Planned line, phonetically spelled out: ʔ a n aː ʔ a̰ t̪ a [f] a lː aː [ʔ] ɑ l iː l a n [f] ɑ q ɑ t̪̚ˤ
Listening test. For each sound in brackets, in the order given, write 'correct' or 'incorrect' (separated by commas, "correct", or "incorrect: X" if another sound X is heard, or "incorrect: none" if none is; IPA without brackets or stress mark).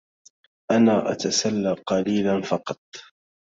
incorrect: s, incorrect: q, correct